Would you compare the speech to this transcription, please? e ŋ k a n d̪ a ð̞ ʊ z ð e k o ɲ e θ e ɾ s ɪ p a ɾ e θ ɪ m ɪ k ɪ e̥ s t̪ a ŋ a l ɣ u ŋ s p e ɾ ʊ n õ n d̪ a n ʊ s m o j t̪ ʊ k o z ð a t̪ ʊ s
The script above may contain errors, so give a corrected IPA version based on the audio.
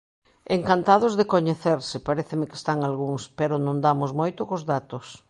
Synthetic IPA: e ŋ k a n t̪ a ð̞ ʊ z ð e k o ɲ e θ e ɾ s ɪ p a ɾ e θ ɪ m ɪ k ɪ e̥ s t̪ a ŋ a l ɣ u ŋ s p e ɾ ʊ n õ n d̪ a m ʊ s m o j t̪ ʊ k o z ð a t̪ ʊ s